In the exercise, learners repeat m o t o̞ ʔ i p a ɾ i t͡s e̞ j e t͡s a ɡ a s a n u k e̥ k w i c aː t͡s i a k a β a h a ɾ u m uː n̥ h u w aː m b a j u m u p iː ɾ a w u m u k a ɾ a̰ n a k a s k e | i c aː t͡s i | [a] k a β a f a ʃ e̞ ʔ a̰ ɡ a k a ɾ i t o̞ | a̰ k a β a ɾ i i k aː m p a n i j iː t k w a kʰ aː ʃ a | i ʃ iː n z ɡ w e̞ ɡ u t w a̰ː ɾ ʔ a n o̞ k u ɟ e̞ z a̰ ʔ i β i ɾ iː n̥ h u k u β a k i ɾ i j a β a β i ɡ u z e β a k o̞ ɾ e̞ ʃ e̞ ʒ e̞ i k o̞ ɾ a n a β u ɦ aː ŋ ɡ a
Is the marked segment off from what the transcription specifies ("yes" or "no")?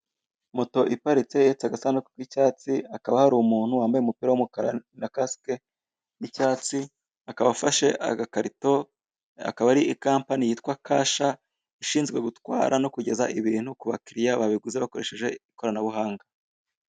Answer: no